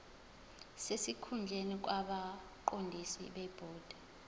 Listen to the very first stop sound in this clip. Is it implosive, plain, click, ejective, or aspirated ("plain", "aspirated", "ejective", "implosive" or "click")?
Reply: aspirated